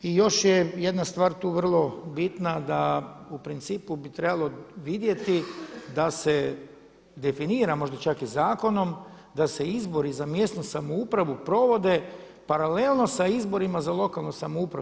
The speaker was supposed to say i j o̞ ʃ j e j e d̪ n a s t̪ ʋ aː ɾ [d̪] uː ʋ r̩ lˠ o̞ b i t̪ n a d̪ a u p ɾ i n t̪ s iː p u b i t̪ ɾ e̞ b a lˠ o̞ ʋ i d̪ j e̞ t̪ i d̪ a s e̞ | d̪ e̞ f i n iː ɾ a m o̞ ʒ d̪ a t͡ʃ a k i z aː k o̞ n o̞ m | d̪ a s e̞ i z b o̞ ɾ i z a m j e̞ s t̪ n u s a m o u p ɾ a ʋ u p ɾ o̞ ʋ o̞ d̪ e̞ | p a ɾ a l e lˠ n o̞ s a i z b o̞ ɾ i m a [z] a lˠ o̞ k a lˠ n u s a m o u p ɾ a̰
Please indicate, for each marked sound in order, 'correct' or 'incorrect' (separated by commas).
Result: incorrect, correct